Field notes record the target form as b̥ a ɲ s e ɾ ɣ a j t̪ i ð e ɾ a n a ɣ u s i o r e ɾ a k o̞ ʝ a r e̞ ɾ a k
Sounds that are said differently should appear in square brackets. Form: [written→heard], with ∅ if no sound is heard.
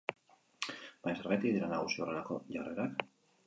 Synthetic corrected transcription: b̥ a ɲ s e ɾ ɣ a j t̪ i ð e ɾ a n a ɣ u s i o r e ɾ a k o̞ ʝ a r e̞ ɾ a k